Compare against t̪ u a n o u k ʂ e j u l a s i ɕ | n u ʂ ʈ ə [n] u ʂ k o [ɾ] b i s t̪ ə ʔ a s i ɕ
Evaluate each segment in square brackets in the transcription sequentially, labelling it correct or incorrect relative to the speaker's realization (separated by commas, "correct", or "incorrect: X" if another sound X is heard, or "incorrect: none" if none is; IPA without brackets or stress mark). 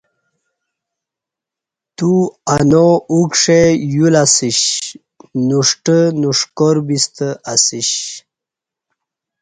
correct, correct